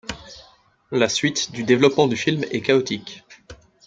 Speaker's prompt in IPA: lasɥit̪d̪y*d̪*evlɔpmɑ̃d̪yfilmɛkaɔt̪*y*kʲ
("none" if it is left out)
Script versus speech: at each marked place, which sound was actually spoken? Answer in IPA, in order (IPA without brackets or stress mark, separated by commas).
d̪, i